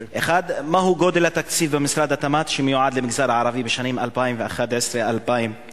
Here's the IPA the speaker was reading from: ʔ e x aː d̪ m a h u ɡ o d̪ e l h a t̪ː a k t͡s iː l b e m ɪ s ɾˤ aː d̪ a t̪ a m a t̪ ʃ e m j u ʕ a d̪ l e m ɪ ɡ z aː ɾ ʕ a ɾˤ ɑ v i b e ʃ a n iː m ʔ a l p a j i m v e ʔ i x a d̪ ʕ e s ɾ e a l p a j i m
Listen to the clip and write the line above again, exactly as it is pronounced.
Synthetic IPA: ʔ e x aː d̪ m a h u ɡ o d̪ e l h a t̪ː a k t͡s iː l b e m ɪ s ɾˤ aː d̪ a t̪ a m a t̪ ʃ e m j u ʕ a d̪ l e m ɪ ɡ z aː ɾ ʕ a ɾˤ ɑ v i b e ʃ a n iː m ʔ a l p a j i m v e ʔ a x a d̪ ʕ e s ɾ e a l p a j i m